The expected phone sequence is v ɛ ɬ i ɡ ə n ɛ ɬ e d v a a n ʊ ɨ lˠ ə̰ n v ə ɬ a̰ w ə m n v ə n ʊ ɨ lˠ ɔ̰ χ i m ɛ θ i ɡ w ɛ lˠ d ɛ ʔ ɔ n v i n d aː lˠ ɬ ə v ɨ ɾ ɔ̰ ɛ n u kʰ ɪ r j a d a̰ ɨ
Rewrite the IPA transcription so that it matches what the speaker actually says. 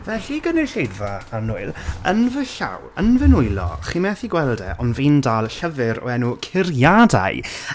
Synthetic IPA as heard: v ɛ ɬ i ɡ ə n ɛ ɬ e d v a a n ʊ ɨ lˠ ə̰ n v ə ɬ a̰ w ə n v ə n ʊ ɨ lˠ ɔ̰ χ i m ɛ θ i ɡ w ɛ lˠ d ɛ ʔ ɔ n v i n d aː lˠ ɬ ə v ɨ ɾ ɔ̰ ɛ n u kʰ ɪ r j a d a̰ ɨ